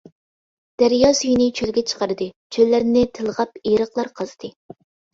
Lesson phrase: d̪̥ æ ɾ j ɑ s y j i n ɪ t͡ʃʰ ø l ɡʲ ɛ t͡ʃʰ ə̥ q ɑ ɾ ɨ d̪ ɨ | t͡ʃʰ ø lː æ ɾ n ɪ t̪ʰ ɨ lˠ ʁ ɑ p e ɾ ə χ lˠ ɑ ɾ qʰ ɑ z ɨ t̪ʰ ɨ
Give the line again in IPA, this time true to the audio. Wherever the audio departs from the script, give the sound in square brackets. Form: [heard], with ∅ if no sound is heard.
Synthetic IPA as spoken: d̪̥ æ ɾ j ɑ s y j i n ɪ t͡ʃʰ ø l ɡʲ ɛ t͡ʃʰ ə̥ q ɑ ɾ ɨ d̪ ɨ | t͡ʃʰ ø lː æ ɾ n ɪ t̪ʰ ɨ lˠ ʁ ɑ p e ɾ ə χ lˠ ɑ ɾ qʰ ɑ z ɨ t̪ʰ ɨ